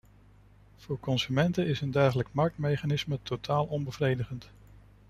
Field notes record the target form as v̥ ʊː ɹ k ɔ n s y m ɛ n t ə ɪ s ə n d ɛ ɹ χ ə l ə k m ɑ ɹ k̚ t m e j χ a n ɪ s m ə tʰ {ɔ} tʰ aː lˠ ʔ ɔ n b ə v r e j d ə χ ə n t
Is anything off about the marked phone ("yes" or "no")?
yes